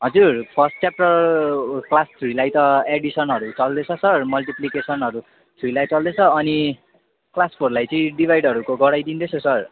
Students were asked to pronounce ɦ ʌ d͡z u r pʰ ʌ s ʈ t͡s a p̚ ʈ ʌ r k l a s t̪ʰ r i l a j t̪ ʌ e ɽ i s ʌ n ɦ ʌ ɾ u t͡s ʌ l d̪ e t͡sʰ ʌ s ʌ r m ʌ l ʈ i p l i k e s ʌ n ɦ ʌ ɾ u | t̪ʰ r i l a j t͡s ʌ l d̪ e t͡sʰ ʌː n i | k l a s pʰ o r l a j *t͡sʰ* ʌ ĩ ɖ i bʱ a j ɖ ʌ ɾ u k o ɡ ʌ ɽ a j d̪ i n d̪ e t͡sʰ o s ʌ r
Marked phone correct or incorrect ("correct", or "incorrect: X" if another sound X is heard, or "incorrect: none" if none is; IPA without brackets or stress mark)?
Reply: incorrect: t͡s